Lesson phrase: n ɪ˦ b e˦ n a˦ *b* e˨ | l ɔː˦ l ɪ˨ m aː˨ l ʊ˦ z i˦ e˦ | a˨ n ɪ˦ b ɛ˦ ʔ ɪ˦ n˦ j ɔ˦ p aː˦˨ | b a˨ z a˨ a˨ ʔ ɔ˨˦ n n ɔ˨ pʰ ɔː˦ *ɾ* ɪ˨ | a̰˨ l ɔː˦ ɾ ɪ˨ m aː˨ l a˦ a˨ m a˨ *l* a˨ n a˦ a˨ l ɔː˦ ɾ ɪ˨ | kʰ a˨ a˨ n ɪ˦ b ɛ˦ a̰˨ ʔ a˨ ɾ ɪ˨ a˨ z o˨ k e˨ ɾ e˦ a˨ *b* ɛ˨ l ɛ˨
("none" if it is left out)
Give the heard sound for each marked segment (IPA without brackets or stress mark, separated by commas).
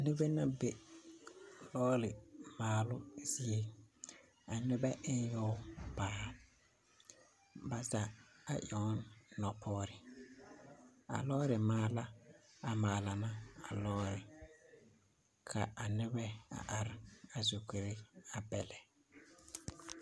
b, ɾ, l, b